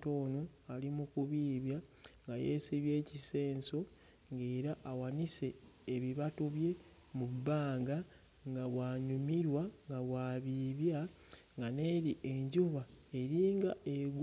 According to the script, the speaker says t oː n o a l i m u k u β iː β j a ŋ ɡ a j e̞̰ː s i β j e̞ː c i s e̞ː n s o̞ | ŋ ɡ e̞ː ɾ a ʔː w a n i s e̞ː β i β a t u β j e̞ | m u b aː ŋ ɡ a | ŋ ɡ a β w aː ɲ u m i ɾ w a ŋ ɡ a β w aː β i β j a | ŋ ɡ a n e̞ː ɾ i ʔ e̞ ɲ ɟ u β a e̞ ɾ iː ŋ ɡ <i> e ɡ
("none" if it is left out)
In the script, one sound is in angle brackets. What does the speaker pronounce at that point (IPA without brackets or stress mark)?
a